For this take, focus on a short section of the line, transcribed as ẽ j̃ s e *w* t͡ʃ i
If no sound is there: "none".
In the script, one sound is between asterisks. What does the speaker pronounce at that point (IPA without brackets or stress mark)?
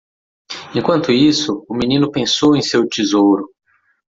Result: w